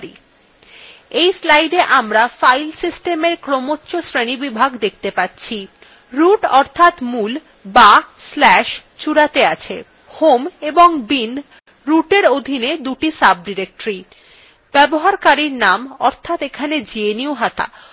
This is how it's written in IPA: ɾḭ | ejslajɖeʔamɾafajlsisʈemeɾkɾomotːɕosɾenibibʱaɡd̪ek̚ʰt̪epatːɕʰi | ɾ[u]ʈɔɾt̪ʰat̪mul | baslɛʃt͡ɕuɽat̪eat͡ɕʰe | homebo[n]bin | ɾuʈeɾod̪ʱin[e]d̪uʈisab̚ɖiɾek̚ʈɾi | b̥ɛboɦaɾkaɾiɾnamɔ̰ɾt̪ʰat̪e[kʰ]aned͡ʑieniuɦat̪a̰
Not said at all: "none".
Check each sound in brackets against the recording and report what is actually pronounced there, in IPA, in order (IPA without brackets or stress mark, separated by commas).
u, ŋ, e, kʰ